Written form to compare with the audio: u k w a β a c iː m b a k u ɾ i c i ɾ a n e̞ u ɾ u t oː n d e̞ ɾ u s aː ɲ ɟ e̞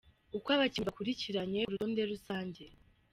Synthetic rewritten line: u k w a β a c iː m b a k u ɾ i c i ɾ a ɲ e̞ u ɾ u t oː n d e̞ ɾ u s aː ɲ ɟ e̞